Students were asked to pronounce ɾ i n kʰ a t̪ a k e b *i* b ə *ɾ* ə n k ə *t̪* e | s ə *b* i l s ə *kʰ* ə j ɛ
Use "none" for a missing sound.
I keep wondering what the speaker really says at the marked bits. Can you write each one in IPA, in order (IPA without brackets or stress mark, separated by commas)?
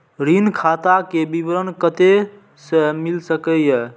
i, ɾ, t̪, m, k